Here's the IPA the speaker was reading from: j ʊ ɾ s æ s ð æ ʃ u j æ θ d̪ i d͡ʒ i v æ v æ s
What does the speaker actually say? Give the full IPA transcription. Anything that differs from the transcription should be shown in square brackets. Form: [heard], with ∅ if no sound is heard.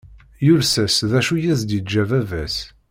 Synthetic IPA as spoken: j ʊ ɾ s æ s ð æ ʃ u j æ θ d̪ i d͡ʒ [æ] v æ v æ s